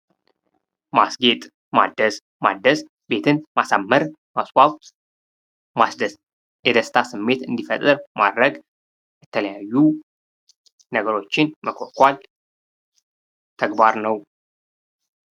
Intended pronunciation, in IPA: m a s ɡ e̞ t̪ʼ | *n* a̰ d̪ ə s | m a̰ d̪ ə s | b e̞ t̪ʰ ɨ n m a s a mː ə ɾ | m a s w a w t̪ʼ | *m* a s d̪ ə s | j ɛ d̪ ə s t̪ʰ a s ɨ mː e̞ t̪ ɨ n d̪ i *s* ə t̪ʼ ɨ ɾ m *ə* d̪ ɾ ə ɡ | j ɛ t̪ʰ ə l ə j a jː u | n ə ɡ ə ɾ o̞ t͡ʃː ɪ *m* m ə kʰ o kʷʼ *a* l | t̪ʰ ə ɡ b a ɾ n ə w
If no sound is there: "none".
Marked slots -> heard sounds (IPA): m, m, f, a, n, a

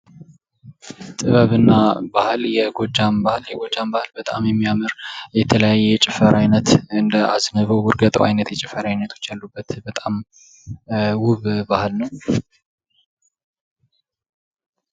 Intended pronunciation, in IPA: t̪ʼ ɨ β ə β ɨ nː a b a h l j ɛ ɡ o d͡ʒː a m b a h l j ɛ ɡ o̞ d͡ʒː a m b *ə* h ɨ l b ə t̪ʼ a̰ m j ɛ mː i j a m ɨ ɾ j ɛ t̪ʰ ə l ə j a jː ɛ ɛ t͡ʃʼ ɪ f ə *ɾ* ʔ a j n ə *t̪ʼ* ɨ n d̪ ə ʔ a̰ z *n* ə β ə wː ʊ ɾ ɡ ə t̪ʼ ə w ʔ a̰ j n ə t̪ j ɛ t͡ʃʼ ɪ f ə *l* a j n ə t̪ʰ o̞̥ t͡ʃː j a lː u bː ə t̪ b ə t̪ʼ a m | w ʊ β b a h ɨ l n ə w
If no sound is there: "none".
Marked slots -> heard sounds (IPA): a, ɾ, t̪, n, ɾ

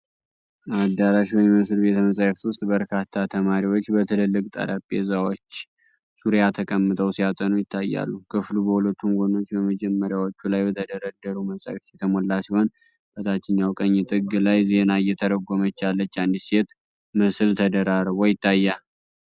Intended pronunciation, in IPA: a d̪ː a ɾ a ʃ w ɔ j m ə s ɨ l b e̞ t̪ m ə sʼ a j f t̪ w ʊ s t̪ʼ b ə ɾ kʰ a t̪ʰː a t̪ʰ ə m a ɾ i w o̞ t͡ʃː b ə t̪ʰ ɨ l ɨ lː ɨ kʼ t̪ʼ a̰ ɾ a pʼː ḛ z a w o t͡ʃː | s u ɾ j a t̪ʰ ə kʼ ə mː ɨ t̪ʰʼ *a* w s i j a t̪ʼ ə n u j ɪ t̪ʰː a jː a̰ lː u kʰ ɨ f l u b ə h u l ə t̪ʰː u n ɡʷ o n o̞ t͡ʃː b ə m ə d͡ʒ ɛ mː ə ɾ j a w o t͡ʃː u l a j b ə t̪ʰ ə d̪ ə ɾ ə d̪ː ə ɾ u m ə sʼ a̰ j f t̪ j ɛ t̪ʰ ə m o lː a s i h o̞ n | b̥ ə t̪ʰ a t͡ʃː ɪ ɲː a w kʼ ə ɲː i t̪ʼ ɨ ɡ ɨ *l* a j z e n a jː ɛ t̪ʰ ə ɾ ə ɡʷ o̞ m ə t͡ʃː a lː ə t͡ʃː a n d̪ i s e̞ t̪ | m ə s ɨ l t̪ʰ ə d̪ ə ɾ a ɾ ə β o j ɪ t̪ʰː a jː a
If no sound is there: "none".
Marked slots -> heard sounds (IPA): ə, l

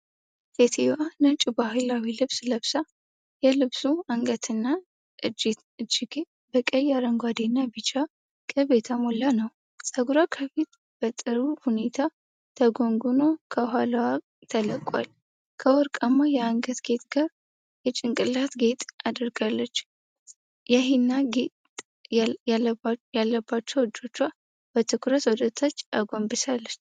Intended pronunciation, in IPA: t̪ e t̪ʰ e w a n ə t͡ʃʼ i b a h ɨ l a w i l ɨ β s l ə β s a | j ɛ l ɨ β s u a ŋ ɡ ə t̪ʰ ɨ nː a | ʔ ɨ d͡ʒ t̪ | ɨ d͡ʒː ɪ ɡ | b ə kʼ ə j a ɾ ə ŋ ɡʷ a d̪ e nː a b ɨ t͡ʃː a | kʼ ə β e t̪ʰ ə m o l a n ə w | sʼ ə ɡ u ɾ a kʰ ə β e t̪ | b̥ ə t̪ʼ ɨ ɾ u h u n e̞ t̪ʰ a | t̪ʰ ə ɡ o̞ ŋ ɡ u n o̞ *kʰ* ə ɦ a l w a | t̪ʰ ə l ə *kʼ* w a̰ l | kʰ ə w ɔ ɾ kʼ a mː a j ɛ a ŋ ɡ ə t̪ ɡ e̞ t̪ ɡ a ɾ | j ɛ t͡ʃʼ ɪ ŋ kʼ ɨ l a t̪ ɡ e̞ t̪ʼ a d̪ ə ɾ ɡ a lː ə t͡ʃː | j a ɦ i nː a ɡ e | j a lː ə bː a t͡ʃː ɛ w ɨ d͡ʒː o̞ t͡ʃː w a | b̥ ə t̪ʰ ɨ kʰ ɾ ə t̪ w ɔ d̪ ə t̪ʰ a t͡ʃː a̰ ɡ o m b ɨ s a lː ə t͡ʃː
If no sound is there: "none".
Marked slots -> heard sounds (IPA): kʰ, kʼ

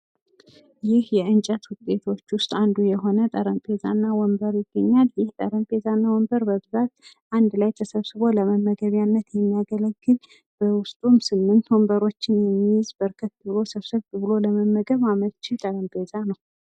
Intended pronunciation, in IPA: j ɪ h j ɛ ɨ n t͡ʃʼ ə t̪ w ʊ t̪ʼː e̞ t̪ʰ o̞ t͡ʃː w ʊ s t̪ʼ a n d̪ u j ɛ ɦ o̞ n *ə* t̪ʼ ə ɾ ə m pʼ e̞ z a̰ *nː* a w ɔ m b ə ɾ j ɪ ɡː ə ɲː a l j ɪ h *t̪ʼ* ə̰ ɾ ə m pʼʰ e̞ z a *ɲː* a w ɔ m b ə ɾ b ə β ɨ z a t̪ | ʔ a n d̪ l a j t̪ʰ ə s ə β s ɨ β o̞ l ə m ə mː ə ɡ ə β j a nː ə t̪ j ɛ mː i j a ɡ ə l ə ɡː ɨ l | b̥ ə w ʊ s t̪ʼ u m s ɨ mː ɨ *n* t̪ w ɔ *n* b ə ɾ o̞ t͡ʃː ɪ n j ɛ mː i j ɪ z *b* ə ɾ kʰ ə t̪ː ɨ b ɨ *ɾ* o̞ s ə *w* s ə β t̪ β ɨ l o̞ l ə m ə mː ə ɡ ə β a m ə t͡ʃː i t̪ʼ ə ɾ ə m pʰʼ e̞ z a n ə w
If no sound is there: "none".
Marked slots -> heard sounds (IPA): ə, nː, t̪ʼ, nː, n, m, b, l, β

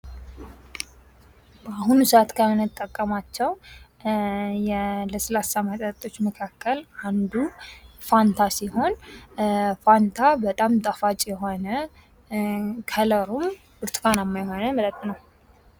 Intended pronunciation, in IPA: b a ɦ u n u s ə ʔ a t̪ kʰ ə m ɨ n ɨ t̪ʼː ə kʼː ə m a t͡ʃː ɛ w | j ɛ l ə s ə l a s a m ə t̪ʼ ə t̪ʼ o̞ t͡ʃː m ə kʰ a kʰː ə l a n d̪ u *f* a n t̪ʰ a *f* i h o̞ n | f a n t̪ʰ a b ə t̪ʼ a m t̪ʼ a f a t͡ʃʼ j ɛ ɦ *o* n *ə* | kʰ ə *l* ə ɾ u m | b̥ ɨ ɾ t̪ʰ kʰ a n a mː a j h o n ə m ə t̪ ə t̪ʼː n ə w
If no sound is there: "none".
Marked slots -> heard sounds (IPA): f, s, o, ə, l

